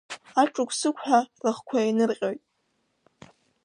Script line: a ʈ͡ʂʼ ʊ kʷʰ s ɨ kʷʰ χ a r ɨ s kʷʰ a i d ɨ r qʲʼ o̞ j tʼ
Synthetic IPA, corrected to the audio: a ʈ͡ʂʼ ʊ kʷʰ s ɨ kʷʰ ħ a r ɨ χ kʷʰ a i n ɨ r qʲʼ o̞ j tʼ